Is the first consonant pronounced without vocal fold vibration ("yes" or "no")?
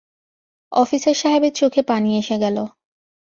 yes